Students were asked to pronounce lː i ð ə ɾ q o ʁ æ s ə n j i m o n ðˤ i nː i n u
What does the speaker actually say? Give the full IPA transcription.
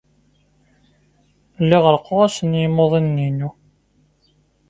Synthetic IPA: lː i ʁ ə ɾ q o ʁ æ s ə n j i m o ðˤ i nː i n u